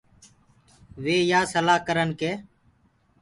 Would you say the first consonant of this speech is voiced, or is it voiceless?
voiced